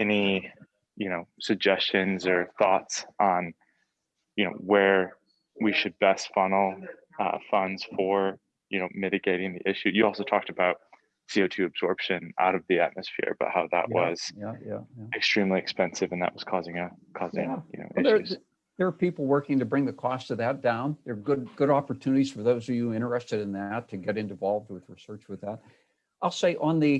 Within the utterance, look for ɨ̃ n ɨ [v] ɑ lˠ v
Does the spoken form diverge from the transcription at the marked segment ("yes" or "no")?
no